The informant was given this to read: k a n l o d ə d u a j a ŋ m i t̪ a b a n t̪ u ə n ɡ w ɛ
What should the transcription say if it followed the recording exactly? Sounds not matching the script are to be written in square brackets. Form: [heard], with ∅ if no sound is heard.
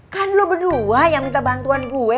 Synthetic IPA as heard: k a n l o [b] ə d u a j a ŋ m i t̪ a b a n t̪ u [a] n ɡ [u] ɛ